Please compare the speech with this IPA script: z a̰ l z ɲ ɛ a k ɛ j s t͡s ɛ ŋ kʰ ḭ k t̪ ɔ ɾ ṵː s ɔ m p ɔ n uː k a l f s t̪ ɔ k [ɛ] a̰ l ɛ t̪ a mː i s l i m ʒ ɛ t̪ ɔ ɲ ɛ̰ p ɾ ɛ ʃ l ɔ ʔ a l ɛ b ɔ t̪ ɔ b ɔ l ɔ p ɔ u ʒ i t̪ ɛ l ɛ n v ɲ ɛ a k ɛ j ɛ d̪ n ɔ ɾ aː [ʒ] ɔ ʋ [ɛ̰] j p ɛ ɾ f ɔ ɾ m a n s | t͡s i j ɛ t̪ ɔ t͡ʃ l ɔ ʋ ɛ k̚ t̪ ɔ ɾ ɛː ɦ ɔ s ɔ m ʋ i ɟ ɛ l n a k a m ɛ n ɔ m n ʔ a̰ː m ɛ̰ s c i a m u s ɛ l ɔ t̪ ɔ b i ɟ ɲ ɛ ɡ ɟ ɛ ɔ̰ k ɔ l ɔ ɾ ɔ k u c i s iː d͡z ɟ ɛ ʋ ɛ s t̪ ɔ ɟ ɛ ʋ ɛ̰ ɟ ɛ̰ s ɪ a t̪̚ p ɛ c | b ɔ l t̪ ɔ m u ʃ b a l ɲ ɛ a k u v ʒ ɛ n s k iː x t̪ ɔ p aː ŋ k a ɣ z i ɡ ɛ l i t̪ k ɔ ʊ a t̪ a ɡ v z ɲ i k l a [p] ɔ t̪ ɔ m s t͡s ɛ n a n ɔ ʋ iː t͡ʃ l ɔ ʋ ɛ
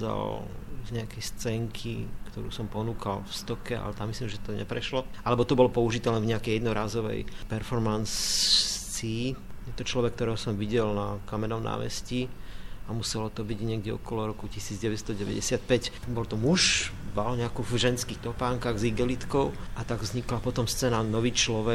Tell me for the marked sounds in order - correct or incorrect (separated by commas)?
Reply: correct, incorrect, correct, correct